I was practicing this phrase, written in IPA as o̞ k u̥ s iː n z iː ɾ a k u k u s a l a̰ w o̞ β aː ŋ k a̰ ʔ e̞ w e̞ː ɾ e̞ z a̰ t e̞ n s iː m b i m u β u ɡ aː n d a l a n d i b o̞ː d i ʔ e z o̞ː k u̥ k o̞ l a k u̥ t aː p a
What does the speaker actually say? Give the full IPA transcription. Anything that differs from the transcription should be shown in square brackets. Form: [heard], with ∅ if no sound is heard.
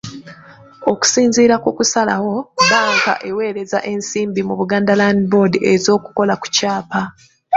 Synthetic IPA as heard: o̞ k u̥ s iː n z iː ɾ a k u k u s a l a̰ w o̞ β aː ŋ k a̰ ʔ e̞ w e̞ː ɾ e̞ z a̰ [ʔ] e̞ n s iː m b i m u β u ɡ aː n d a l a n d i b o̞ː d i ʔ e z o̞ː k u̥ k o̞ l a k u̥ [c] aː p a